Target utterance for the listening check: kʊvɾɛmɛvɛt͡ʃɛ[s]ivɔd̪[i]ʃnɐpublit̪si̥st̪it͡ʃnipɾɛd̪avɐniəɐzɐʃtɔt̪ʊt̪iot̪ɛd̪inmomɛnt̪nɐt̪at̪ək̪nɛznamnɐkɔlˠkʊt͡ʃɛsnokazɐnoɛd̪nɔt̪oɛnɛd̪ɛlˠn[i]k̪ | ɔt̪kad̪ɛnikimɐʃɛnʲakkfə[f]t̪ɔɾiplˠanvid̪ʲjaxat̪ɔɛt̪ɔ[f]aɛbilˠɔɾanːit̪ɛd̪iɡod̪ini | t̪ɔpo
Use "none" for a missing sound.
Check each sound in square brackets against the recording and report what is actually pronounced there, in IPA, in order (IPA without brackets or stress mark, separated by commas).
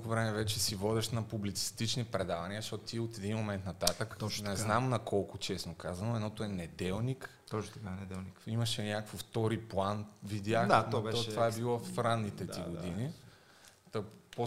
s, ɛ, i, f, v